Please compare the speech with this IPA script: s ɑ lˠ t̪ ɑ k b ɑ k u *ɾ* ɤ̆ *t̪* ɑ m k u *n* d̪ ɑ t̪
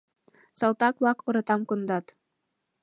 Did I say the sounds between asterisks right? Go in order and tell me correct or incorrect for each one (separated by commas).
correct, correct, correct